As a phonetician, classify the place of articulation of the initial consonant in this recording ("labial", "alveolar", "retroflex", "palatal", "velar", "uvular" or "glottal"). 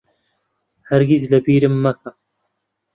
glottal